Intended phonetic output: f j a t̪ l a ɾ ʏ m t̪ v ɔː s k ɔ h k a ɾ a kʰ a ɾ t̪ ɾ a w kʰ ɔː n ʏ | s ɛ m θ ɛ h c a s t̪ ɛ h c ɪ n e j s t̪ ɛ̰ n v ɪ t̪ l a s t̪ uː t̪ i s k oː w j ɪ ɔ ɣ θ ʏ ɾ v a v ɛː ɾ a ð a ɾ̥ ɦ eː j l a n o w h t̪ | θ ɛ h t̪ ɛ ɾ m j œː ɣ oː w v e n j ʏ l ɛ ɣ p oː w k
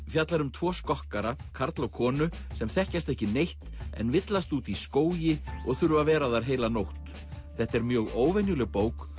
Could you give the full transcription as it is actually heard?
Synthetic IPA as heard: f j a t̪ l a ɾ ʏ m t̪ʰ v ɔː s k ɔ h k a ɾ a kʰ a ɾ t̪ l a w kʰ ɔː n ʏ | s ɛ m θ ɛ h c a s t̪ ɛ h c ɪ n e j h t̪ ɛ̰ n v ɪ t̪ l a s t̪ uː t̪ i s k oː w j ɪ ɔ ɣ θ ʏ ɾ v a v ɛː ɾ a ð a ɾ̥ ɦ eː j l a n o w h t̪ | θ ɛ h t̪ ɛ ɾ m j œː ɣ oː w v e n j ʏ l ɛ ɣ p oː w k